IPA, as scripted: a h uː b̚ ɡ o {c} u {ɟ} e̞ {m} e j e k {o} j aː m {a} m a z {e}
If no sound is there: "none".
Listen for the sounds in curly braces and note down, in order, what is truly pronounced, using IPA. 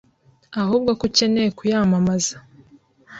k, c, n, u, a, a

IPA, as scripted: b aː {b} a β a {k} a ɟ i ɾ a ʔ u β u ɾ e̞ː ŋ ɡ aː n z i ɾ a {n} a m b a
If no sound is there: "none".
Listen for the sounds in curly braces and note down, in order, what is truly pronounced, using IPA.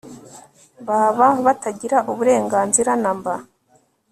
β, t, n

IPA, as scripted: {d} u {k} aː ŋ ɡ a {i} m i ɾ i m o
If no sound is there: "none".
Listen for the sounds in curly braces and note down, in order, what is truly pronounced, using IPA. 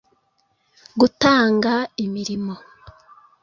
ɡ, t, i

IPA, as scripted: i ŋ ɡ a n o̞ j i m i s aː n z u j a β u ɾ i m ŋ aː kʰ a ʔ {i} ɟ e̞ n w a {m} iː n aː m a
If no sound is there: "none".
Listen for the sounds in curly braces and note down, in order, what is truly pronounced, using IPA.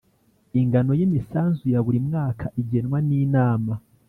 i, n

